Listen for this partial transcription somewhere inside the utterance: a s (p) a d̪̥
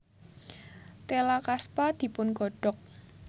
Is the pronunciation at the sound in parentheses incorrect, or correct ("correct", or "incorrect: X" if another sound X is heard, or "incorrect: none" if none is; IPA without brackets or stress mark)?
correct